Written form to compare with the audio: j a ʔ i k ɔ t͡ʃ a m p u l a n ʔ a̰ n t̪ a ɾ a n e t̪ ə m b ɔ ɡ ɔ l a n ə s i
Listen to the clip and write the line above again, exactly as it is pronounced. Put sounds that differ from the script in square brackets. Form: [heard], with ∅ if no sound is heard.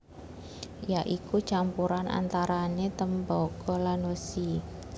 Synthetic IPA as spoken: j a ʔ i k [u] t͡ʃ a m p u [ɾ] a n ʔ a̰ n t̪ a ɾ a n e t̪ ə m b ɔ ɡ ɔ l a n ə s i